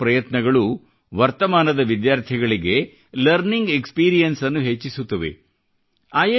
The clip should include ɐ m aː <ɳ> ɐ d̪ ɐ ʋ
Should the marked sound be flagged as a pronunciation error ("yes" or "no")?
yes